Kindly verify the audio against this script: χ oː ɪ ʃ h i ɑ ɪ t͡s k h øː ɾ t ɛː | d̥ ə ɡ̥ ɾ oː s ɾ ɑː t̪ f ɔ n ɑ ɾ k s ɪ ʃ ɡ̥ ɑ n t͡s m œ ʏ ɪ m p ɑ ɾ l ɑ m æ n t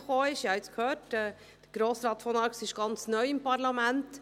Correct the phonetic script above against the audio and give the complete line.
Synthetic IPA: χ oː ɪ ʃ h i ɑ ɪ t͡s k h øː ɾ t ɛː | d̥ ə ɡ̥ ɾ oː s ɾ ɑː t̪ f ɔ n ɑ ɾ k s ɪ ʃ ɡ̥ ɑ n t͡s n œ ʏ ɪ m p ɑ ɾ l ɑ m æ n t